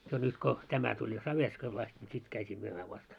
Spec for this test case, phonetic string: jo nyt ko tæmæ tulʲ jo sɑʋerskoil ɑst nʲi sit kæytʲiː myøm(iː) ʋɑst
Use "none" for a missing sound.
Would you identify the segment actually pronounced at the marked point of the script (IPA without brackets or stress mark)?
æː